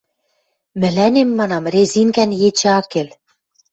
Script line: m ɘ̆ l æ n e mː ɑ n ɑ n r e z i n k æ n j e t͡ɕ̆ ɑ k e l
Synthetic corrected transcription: m ɘ̆ l æ n e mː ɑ n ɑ m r e z i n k æ n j e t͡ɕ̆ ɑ k e l